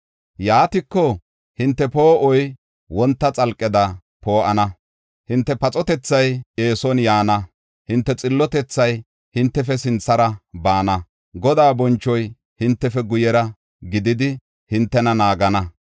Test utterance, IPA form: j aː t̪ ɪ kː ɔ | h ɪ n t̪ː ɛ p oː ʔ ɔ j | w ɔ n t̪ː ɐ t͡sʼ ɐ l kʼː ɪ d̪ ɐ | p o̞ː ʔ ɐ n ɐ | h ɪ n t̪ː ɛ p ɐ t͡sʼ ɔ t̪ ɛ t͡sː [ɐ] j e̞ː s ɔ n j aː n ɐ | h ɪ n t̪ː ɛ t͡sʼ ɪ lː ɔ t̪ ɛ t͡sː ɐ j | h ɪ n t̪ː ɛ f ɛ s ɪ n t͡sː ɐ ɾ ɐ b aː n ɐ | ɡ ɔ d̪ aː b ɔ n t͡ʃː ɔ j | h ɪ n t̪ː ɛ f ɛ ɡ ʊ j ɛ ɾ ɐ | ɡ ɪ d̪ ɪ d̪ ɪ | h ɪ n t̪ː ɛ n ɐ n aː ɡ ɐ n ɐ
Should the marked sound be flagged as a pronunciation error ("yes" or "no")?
no